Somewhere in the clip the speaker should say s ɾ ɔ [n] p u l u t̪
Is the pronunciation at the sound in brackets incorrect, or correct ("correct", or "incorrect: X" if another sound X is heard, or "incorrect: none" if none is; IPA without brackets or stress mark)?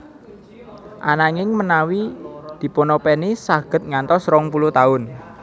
incorrect: ŋ